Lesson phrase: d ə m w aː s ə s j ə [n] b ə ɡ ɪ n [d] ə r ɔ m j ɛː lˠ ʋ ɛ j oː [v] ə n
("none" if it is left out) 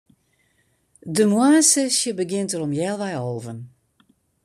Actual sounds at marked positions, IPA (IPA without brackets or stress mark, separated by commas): none, t, v